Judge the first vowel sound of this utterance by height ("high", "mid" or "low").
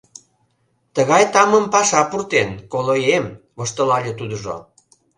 mid